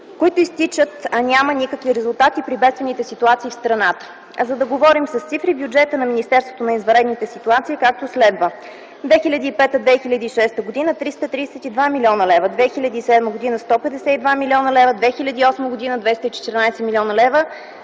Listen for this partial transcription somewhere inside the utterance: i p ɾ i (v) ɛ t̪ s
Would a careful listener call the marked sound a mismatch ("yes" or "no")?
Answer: yes